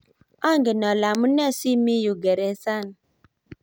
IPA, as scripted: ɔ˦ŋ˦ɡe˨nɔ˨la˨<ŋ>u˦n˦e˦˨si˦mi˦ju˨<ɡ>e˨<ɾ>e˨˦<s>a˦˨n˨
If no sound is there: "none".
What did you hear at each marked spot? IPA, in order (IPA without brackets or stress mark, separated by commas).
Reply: m, ɡ, ɾ, s